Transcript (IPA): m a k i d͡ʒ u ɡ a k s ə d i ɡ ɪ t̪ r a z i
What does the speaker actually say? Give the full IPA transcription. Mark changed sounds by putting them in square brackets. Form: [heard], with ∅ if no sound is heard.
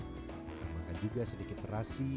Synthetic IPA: m a k [a] d͡ʒ u ɡ a [∅] s ə d i [k] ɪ t̪ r a [s] i